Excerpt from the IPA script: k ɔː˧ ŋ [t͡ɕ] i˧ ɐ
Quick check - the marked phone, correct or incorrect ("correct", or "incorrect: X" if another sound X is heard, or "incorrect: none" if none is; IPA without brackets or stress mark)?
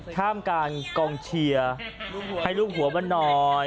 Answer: incorrect: t͡ɕʰ